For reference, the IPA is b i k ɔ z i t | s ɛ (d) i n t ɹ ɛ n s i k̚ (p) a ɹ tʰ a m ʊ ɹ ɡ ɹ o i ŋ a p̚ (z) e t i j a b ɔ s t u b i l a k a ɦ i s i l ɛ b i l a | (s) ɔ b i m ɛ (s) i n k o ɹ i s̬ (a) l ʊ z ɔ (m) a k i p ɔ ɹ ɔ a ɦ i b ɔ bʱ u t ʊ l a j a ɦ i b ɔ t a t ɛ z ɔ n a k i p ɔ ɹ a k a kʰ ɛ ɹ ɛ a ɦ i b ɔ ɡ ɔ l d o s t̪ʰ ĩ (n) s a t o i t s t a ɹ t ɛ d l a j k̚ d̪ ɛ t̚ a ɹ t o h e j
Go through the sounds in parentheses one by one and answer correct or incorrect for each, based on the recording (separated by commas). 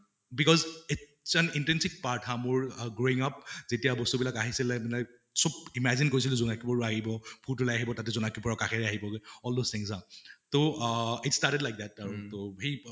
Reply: incorrect, correct, correct, correct, incorrect, incorrect, incorrect, incorrect